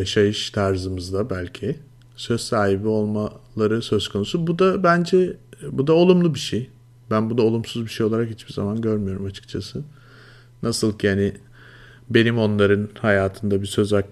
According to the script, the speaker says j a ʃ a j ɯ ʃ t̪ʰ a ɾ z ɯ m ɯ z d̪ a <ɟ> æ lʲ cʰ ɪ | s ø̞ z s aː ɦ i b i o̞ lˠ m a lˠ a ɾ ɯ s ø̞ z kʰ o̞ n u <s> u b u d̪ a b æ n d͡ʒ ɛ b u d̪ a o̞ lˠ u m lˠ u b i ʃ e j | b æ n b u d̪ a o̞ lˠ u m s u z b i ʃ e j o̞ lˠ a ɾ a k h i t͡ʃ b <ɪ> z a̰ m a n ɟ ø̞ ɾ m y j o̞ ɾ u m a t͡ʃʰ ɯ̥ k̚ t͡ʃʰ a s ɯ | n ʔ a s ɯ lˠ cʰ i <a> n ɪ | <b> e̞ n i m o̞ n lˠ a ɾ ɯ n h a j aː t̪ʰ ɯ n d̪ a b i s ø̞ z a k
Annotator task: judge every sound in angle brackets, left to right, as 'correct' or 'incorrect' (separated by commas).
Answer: incorrect, correct, incorrect, correct, correct